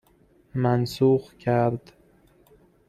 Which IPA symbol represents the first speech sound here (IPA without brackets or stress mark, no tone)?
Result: m